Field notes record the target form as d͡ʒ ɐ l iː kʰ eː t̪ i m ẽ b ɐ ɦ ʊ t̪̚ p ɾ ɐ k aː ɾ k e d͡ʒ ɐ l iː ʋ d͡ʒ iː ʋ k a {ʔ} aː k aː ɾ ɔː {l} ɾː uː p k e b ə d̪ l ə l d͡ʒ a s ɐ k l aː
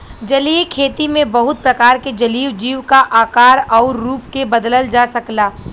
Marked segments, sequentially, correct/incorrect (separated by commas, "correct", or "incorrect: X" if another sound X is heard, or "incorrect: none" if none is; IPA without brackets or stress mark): correct, incorrect: none